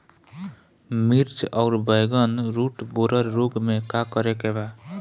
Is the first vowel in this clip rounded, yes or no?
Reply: no